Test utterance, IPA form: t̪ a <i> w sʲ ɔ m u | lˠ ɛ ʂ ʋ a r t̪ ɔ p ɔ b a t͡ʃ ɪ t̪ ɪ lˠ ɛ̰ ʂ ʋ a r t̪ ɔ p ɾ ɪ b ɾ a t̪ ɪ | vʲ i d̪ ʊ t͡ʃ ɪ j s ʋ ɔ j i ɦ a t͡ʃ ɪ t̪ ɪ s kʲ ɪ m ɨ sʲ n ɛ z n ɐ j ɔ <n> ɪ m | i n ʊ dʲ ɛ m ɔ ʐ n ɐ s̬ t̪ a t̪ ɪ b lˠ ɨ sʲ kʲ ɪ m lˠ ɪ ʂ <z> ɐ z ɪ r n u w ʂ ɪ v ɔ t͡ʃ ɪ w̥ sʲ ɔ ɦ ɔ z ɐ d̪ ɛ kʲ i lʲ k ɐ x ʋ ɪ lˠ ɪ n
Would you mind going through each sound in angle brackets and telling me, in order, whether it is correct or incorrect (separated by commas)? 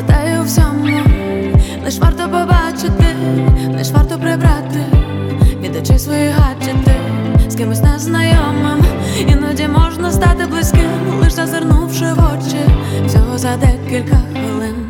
incorrect, incorrect, correct